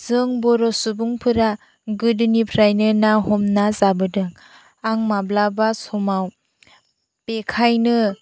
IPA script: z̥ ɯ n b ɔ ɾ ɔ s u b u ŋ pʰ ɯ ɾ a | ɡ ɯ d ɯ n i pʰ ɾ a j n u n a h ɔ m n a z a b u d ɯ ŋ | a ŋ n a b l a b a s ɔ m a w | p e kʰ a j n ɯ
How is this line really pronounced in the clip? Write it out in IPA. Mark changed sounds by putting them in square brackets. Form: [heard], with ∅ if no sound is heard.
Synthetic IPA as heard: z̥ ɯ [ŋ] b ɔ ɾ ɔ s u b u ŋ pʰ ɯ ɾ a | ɡ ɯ d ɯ n i pʰ ɾ a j n [ɯ] n a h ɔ m n a z a b [ɯ] d ɯ ŋ | a ŋ [m] a b l a b a s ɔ m a w | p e kʰ a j n ɯ